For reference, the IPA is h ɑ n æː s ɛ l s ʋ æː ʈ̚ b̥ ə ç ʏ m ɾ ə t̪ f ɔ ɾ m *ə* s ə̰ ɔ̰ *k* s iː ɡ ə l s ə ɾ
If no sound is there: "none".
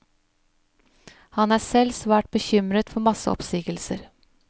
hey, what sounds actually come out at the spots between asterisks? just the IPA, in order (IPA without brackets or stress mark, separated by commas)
ɑ, p